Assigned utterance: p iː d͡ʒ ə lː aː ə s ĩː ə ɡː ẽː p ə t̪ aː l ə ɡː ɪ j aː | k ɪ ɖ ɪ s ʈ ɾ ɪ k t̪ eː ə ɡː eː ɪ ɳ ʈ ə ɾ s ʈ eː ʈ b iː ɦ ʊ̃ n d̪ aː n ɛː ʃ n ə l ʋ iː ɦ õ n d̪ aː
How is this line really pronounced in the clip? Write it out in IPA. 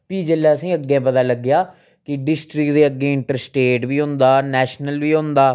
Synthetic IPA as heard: p iː d͡ʒ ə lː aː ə s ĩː ə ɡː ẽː p ə t̪ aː l ə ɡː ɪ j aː | k ɪ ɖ ɪ s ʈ ɾ ɪ k d̪ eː ə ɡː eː ɪ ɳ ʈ ə ɾ s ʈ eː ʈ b iː ɦ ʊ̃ n d̪ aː n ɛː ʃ n ə l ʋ iː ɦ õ n d̪ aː